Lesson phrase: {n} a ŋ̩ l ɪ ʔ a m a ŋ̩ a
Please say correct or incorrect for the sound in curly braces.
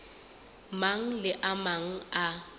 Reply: incorrect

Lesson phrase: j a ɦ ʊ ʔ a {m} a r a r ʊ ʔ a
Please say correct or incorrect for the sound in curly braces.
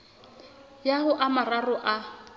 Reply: correct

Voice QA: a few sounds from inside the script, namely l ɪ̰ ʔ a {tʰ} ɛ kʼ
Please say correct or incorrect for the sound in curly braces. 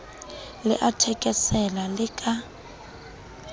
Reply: correct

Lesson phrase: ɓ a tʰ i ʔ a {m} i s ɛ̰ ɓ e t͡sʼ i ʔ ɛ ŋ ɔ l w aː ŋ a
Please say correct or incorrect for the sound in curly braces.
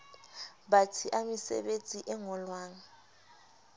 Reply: correct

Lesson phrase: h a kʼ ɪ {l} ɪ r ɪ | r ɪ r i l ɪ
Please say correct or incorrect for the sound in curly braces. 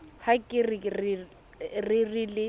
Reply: incorrect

